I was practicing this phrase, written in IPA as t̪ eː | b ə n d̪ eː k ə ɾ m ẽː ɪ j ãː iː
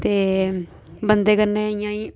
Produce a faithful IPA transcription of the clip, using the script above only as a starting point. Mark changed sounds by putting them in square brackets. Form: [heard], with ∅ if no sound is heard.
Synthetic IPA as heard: t̪ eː | b ə n d̪ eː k ə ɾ [n] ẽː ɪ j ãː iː